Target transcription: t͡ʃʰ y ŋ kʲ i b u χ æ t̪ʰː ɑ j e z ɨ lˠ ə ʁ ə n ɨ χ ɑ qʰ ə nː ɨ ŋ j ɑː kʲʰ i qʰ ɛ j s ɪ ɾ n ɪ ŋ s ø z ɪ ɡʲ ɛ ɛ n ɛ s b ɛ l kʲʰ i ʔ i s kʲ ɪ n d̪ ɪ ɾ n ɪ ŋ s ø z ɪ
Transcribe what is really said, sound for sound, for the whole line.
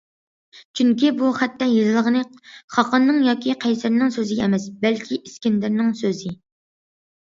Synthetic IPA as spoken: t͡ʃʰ y ŋ kʲ i b u χ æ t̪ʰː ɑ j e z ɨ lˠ ə ʁ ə n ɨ χ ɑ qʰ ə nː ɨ ŋ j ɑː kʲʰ i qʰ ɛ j s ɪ ɾ n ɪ ŋ s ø z ɪ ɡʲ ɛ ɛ m ɛ s b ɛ l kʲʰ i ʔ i s kʲ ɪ n d̪ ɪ ɾ n ɪ ŋ s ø z ɪ

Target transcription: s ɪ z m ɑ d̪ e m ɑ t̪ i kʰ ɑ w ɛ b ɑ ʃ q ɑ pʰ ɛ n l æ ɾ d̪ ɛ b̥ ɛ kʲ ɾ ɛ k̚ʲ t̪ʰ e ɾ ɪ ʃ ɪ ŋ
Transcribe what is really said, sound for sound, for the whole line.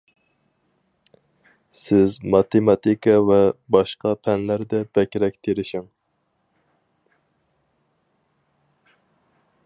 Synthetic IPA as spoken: s ɪ z m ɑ t̪ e m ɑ t̪ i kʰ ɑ v ɛ b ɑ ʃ q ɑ pʰ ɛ n l æ ɾ d̪ ɛ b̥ ɛ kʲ ɾ ɛ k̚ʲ t̪ʰ e ɾ ɪ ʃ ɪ ŋ

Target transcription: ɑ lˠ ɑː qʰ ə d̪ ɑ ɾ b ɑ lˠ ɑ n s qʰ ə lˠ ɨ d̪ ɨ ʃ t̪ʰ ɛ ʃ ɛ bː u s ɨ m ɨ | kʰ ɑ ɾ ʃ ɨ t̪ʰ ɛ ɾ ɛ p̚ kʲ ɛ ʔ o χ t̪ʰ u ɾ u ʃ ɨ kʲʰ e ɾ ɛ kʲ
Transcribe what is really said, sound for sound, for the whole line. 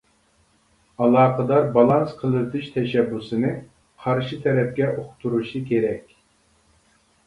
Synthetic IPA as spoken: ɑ lˠ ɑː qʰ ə d̪ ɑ ɾ b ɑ lˠ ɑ n s qʰ ə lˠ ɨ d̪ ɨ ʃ t̪ʰ ɛ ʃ ɛ bː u s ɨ n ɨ | qʰ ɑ ɾ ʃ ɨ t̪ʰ ɛ ɾ ɛ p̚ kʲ ɛ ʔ o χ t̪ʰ u ɾ u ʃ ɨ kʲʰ e ɾ ɛ kʲ

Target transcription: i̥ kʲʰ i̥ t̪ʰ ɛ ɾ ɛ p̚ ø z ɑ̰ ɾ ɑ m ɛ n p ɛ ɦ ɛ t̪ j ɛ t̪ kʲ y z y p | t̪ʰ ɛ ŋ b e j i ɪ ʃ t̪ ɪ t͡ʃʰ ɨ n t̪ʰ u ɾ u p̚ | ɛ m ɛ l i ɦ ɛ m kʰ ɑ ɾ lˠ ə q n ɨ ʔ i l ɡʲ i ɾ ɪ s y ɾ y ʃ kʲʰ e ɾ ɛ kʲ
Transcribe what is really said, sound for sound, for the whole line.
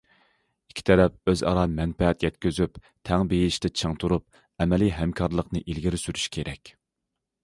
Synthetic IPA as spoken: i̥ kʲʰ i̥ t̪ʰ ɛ ɾ ɛ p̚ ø z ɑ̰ ɾ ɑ m ɛ n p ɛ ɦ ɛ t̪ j ɛ t̪ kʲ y z y p | t̪ʰ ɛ ŋ b e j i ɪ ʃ t̪ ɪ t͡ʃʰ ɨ ŋ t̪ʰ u ɾ u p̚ | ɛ m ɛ l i ɦ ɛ m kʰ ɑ ɾ lˠ ə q n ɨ ʔ i l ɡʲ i ɾ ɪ s y ɾ y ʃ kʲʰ e ɾ ɛ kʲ

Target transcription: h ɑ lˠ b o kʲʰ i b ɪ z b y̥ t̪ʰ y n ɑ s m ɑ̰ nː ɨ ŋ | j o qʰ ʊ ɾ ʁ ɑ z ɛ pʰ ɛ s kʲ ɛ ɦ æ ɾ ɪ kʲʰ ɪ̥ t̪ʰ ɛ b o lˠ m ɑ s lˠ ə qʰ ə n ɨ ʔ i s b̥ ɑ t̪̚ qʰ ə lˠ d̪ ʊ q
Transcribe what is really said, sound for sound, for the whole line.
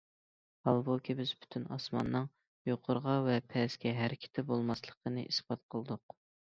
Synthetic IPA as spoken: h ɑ lˠ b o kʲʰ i b ɪ z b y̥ t̪ʰ y n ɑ s m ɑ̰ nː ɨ ŋ | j o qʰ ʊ ɾ ʁ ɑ v ɛ pʰ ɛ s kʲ ɛ ɦ æ ɾ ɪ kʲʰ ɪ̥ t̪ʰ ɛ b o lˠ m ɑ s lˠ ə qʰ ə n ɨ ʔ i s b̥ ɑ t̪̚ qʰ ə lˠ d̪ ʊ q

